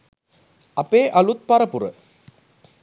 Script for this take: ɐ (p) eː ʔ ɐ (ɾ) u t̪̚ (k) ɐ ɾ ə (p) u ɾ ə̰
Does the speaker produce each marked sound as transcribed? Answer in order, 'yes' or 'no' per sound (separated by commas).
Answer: yes, no, no, yes